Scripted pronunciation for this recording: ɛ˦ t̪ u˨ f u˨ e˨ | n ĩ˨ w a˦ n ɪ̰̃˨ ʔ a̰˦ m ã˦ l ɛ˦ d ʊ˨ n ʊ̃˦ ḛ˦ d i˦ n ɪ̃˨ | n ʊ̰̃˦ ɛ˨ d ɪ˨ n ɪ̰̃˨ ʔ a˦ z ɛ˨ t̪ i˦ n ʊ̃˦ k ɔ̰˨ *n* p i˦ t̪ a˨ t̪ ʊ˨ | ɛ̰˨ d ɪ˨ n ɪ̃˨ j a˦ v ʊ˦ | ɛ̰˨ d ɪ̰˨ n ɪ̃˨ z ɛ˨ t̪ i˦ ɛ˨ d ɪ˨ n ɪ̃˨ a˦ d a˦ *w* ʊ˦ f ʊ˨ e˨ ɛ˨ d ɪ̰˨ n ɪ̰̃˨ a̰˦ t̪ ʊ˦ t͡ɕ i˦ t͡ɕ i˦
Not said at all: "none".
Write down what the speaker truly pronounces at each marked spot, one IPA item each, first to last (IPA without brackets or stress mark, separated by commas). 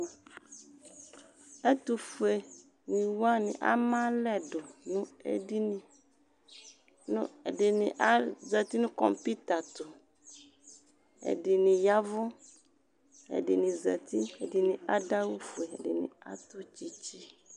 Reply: m, w